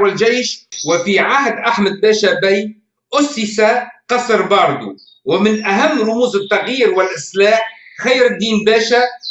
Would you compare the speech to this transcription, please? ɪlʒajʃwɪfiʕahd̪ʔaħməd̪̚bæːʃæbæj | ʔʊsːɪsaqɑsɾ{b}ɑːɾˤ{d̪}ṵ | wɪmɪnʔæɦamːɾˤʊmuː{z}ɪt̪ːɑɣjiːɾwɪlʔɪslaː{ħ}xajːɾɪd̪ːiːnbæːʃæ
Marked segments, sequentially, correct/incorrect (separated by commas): correct, correct, correct, correct